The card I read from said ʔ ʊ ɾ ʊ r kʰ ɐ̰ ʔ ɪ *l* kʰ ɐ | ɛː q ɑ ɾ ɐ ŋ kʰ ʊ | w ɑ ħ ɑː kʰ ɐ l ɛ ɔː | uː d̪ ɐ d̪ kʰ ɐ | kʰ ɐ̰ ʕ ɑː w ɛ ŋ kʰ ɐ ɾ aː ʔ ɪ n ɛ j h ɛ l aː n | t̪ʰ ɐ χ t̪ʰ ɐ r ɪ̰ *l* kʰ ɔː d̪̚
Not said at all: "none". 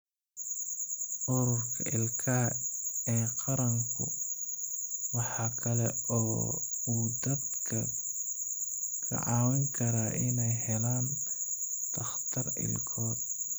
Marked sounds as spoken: l, l

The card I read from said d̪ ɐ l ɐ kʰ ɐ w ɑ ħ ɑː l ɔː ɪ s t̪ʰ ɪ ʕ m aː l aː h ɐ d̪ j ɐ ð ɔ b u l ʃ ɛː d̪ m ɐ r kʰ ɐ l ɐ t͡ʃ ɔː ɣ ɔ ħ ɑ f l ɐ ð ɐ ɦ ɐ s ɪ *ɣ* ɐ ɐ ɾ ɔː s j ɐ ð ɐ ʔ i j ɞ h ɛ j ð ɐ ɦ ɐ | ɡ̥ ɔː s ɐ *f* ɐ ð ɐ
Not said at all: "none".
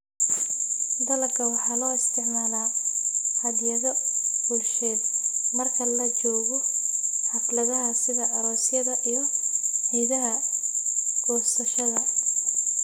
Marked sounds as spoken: ð, ʃ

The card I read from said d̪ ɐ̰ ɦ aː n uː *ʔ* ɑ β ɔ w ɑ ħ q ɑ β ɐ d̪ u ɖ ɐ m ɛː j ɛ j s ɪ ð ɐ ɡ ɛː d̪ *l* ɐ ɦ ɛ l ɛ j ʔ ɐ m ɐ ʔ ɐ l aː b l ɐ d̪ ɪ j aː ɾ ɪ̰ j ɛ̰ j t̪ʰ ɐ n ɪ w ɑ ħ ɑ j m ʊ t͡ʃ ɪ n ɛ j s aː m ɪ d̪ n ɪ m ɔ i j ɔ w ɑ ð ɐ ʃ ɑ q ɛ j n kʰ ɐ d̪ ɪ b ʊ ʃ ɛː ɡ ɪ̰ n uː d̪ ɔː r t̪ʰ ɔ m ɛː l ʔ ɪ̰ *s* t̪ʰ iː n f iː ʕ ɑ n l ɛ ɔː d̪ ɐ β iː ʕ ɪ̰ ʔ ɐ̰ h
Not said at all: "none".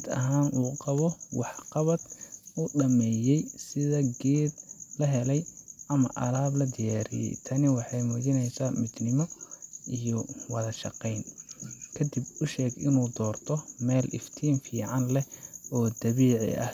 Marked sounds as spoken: q, l, f

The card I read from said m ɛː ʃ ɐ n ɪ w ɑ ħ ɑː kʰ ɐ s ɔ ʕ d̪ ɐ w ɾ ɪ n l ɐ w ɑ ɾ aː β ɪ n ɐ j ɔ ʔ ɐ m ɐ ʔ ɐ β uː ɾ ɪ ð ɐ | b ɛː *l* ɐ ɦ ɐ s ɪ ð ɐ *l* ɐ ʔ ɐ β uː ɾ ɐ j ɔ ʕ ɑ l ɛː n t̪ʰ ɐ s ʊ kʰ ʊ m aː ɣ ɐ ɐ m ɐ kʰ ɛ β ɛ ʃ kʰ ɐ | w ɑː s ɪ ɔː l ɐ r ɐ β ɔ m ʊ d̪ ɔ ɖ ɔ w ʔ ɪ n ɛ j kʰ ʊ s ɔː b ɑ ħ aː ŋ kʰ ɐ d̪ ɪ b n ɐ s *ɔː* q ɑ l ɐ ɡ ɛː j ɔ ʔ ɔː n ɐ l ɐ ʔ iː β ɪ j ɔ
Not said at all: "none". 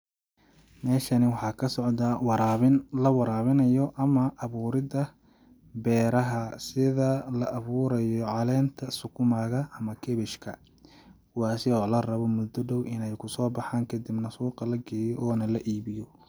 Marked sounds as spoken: ɾ, l, uː

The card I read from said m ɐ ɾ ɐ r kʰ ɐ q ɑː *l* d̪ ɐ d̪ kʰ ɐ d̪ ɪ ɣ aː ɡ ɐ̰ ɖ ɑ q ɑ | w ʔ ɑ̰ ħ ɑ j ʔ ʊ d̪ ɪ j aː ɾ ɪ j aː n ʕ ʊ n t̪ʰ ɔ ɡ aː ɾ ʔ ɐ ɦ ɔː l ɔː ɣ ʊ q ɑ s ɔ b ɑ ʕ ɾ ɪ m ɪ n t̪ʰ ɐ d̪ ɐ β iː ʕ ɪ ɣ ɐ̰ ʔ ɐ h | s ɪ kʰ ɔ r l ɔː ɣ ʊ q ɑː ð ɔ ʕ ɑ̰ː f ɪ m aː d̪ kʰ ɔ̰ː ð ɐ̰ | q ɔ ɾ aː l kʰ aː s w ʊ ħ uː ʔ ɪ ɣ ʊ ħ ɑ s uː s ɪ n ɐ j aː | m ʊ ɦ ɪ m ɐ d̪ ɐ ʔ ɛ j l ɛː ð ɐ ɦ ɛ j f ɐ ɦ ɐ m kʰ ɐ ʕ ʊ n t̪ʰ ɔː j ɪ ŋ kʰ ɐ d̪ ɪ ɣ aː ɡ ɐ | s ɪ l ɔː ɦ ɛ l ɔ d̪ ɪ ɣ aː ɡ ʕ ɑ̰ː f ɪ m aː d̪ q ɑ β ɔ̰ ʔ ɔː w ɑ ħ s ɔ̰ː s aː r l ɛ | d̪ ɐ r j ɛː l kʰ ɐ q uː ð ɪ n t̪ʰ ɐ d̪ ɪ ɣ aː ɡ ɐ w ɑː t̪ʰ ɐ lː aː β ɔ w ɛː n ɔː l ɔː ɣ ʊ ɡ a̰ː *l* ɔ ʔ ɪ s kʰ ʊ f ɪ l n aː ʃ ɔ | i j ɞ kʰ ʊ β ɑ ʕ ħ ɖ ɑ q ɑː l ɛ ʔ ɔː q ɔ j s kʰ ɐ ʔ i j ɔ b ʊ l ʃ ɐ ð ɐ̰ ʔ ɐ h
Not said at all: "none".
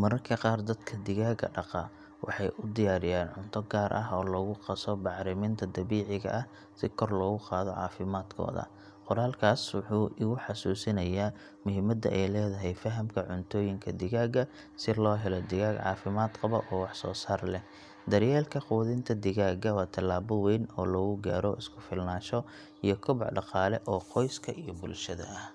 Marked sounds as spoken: r, ɾ

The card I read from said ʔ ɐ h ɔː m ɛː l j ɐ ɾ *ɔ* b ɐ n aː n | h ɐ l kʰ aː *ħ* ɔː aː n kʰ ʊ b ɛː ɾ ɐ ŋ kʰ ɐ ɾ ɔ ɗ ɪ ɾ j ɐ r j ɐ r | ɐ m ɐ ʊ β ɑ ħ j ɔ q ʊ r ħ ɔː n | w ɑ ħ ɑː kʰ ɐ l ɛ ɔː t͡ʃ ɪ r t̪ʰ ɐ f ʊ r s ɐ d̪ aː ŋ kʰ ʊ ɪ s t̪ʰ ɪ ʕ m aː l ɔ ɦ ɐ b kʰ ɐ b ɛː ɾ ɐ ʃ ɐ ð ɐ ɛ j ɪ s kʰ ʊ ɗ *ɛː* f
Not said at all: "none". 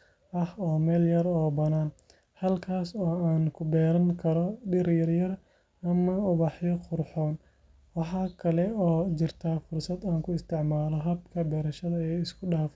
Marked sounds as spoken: ɔː, s, aː

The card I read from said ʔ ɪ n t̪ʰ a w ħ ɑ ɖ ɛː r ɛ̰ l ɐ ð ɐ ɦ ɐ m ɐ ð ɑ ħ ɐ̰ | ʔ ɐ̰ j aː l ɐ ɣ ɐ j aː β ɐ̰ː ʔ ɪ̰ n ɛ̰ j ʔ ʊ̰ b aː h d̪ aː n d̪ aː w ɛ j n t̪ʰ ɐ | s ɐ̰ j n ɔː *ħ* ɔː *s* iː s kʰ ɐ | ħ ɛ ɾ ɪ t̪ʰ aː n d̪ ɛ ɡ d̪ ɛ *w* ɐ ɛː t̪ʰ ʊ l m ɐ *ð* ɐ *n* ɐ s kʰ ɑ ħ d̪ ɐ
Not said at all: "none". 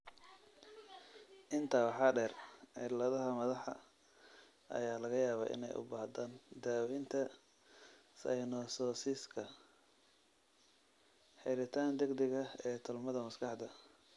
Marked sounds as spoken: s, s, ɣ, ð, m

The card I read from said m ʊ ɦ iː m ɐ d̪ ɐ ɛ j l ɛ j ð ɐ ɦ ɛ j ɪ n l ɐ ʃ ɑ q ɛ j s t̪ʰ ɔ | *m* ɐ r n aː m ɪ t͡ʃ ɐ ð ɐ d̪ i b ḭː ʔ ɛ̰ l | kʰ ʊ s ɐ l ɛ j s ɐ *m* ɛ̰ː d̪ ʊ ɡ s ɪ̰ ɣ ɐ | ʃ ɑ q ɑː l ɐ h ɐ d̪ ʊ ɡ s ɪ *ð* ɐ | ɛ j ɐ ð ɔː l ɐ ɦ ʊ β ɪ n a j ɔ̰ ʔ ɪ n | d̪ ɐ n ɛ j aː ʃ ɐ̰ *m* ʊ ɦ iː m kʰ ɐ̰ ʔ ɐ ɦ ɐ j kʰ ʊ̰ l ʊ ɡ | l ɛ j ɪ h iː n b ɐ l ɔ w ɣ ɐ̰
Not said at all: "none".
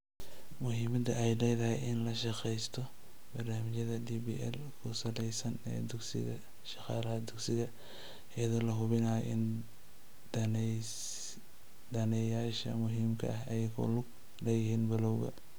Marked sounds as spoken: b, n, ɣ, m

